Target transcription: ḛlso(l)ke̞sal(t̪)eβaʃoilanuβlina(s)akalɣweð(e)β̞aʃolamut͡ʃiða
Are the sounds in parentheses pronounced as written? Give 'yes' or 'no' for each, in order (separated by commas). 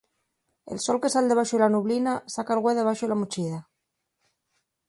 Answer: yes, no, yes, yes